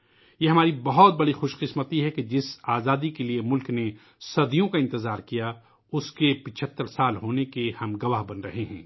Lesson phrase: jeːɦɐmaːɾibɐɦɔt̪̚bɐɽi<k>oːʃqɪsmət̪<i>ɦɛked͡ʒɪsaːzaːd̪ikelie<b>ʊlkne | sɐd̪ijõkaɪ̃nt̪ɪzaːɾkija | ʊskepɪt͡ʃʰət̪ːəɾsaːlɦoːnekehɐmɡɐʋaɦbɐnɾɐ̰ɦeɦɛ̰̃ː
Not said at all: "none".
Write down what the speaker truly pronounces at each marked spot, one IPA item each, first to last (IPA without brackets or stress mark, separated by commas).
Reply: x, i, m